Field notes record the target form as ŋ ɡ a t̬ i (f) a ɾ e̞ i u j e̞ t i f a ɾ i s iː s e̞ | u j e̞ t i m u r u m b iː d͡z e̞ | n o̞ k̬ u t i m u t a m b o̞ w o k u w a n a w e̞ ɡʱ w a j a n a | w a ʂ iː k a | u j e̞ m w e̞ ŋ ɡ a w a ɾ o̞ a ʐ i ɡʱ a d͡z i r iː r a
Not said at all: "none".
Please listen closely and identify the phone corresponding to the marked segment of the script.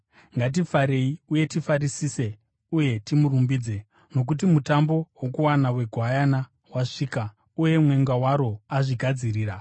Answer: f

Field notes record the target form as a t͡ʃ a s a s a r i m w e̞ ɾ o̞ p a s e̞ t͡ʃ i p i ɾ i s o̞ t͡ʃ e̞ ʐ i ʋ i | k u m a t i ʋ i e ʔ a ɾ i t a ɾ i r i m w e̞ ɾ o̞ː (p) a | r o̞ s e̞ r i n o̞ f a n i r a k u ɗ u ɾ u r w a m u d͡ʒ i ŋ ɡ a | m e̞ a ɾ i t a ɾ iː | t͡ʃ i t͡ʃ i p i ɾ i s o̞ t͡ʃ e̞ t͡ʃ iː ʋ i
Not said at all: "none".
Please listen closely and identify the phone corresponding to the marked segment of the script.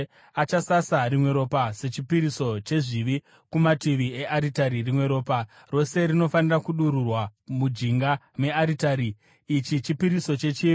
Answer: p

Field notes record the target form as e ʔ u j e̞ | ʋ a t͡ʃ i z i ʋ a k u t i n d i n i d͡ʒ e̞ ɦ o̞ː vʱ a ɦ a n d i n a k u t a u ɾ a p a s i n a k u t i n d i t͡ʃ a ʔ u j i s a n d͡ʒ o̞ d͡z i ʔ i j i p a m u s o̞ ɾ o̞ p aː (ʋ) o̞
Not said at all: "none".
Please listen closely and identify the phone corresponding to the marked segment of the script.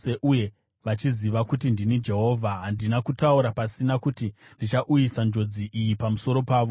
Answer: ʋ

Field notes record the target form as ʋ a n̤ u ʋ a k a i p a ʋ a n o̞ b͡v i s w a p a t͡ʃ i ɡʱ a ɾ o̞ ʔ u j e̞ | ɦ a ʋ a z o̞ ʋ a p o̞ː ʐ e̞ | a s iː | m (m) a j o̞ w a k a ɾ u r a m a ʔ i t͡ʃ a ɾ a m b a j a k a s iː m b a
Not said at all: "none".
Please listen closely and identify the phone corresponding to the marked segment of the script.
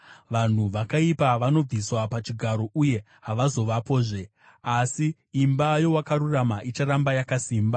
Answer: b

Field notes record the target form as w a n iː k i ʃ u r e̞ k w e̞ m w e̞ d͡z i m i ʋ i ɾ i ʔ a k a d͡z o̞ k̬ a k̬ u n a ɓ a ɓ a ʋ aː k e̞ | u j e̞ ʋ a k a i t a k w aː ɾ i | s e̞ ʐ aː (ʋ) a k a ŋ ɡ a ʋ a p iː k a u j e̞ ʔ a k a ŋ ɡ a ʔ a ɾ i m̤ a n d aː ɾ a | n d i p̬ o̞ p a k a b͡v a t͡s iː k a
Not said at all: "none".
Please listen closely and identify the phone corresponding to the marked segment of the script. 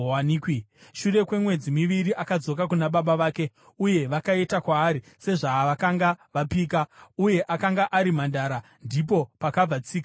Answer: ʋ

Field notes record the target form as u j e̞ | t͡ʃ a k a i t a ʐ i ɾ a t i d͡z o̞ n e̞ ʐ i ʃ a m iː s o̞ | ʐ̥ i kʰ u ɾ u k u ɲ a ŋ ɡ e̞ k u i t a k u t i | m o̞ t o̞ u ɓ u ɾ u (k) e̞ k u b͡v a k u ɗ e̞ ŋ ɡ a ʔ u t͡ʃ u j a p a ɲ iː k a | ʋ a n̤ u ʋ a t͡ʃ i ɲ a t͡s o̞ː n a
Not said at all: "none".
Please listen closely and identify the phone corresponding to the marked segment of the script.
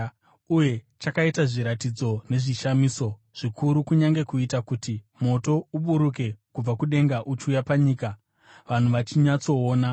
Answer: k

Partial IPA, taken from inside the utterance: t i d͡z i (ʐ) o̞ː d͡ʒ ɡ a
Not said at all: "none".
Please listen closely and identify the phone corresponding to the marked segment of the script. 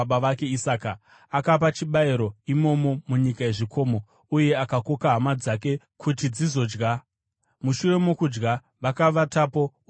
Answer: z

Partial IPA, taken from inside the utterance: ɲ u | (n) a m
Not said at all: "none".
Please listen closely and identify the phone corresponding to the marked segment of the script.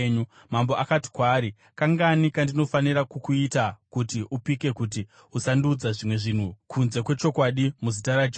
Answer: m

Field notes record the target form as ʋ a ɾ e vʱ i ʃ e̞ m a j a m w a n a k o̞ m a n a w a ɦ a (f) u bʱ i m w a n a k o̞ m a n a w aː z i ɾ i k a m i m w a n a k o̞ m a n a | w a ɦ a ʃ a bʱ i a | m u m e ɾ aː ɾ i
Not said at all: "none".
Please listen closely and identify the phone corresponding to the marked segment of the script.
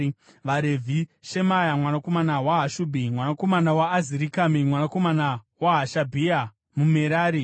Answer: ʃ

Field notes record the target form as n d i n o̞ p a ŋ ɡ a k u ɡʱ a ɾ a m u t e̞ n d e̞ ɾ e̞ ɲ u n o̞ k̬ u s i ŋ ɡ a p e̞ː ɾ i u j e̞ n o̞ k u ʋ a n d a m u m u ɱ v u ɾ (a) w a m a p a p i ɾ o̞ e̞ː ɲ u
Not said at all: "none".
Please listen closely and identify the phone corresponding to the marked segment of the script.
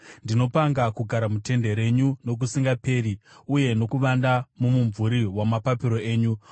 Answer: i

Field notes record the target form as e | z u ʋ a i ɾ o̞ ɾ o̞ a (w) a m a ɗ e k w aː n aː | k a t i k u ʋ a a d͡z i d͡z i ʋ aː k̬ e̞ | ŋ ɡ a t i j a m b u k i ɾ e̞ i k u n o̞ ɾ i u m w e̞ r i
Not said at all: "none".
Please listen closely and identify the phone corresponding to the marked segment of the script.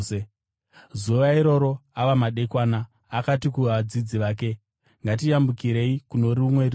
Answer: ʋ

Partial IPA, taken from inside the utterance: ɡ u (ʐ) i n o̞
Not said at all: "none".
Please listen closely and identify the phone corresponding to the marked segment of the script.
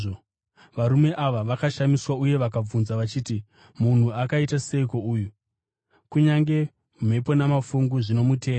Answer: ʐ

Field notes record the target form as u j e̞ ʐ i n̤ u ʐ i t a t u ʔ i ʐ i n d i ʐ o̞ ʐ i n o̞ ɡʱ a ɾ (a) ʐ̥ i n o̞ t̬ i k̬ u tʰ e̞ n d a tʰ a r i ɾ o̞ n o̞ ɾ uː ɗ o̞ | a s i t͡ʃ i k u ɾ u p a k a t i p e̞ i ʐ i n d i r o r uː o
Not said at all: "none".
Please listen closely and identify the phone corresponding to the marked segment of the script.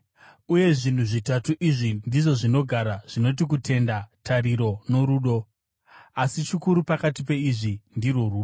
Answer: a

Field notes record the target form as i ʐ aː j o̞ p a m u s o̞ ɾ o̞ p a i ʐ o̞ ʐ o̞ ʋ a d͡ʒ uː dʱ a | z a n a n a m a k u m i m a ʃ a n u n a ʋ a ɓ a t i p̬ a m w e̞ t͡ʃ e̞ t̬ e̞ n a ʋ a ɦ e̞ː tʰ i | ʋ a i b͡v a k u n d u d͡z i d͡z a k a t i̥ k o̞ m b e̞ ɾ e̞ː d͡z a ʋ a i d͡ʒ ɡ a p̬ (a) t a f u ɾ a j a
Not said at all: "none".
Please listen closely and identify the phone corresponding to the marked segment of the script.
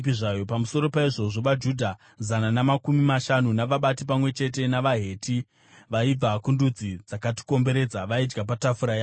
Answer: a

